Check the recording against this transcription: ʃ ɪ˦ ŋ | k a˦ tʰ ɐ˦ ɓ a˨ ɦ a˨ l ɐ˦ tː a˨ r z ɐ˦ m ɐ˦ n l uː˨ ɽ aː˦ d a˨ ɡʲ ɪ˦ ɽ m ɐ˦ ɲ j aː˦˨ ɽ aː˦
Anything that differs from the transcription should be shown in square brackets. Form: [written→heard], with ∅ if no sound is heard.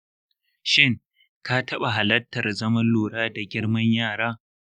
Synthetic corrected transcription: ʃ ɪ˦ ŋ | k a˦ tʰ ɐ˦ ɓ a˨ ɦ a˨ l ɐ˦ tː [a˨→ɐ˨] r z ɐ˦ m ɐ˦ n l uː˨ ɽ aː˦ d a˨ ɡʲ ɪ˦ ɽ m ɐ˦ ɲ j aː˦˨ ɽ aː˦